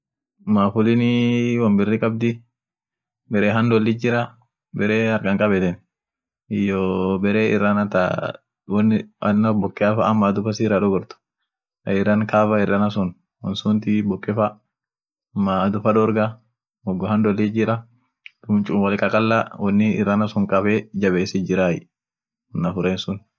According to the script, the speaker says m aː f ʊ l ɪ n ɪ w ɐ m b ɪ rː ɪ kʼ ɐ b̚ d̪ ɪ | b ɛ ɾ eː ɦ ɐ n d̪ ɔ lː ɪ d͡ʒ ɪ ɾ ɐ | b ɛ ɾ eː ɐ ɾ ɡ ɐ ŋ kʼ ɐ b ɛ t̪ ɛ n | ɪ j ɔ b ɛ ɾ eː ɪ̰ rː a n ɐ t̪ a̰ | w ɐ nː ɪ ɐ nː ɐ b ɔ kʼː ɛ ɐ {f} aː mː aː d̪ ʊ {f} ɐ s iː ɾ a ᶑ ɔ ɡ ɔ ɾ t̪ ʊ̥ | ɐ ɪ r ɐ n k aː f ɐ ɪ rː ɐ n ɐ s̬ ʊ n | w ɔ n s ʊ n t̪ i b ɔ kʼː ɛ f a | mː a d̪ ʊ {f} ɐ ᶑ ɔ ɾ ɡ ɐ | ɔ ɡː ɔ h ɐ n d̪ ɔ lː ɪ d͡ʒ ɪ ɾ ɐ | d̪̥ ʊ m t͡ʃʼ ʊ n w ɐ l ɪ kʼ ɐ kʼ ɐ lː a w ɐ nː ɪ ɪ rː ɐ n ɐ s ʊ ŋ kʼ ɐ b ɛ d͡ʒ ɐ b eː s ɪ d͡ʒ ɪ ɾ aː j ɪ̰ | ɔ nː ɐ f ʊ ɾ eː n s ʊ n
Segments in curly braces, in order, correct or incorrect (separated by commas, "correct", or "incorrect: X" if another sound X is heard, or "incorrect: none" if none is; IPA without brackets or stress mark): correct, correct, correct